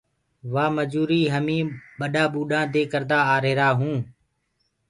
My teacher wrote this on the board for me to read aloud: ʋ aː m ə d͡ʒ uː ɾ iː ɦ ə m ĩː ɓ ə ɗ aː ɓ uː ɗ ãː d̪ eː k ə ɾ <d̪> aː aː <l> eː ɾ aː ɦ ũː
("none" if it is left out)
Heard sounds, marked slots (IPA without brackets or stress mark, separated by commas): d̪, ɾ